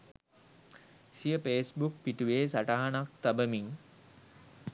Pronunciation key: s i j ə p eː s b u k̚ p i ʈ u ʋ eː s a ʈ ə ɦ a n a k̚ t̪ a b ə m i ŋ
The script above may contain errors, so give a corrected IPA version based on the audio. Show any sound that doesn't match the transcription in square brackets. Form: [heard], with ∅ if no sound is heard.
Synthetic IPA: s i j ə p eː s b u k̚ p i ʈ u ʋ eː s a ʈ [a] ɦ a n a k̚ t̪ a b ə m i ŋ